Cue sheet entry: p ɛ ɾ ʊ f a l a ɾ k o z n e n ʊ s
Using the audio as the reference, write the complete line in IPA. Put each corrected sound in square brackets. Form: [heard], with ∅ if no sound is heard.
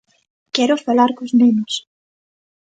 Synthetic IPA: [k] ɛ ɾ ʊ f a l a ɾ k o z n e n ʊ s